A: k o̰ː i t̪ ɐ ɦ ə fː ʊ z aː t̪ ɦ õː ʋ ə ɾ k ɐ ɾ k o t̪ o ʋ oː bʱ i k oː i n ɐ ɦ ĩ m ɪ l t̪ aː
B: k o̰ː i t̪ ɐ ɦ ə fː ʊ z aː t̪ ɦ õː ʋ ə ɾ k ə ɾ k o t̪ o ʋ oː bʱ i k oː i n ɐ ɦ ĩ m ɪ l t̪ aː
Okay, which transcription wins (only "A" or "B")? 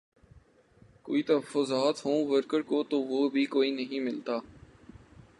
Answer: B